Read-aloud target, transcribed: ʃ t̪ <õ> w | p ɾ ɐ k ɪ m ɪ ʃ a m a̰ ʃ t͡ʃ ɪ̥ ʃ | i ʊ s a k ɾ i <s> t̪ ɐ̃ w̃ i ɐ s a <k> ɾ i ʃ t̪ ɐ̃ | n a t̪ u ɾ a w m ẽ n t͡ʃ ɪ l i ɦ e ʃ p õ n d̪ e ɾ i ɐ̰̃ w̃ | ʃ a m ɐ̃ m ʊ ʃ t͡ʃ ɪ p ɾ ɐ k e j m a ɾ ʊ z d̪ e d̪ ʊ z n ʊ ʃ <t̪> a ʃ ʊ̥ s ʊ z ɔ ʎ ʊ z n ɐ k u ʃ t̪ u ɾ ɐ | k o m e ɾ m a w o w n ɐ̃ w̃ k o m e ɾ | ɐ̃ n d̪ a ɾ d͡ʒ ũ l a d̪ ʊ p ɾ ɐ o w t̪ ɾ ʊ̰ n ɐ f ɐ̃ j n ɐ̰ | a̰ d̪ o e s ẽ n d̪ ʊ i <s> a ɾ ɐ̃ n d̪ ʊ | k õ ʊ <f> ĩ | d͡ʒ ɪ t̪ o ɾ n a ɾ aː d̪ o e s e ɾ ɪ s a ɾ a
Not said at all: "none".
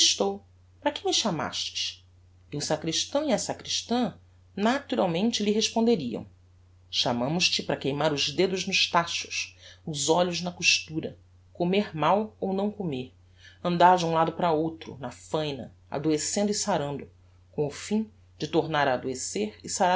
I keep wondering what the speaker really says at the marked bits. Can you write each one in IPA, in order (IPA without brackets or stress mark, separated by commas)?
o, ʃ, k, t̪, s, f